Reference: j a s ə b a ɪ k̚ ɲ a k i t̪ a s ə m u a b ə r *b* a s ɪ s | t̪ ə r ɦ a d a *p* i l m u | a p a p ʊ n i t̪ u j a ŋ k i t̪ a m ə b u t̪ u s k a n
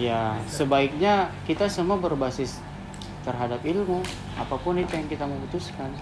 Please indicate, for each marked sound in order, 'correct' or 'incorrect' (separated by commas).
correct, correct